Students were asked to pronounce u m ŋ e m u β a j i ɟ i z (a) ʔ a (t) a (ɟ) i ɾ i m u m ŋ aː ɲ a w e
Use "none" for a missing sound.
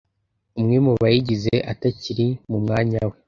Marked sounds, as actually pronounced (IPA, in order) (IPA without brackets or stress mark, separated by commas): e, t, c